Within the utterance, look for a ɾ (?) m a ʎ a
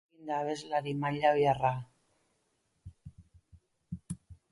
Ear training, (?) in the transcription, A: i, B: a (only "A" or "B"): A